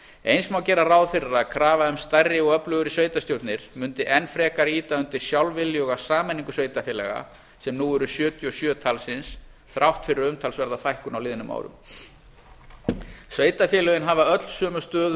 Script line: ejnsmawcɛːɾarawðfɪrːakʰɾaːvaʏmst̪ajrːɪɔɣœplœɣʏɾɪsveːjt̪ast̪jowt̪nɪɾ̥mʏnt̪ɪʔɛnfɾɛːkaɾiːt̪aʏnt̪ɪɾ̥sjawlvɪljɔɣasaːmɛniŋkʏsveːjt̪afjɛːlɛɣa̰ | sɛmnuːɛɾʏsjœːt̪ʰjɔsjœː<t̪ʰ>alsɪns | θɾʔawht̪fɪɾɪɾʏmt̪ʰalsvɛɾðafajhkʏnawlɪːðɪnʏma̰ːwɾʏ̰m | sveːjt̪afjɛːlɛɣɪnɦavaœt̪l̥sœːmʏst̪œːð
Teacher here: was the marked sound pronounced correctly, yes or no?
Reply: yes